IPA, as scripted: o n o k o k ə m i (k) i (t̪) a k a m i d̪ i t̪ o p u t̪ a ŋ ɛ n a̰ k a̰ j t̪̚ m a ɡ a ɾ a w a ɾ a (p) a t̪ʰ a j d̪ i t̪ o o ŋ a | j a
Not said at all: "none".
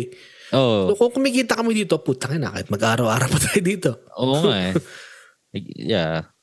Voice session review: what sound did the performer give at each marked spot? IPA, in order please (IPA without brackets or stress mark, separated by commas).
k, t̪, p